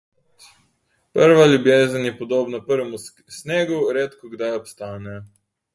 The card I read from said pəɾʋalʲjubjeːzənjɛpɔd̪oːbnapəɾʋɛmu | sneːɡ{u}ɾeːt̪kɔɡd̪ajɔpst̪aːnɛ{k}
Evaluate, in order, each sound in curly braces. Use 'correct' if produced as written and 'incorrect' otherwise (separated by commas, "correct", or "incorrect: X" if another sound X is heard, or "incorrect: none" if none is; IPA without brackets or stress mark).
correct, incorrect: none